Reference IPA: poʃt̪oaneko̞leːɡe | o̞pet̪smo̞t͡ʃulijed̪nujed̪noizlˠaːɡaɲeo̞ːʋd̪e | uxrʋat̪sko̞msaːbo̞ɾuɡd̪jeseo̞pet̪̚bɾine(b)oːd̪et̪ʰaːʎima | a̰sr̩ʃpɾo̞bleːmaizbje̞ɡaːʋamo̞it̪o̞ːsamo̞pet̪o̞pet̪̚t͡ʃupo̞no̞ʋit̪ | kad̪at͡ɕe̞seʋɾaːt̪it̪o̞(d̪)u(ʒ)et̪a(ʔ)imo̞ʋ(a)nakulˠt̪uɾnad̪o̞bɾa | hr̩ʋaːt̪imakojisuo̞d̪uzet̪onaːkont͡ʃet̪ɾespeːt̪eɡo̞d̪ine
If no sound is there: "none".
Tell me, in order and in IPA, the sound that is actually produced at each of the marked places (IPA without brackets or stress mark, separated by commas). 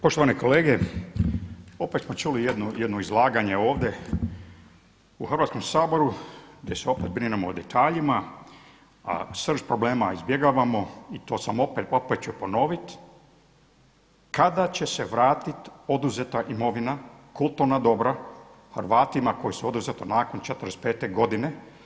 m, d̪, z, ʔ, i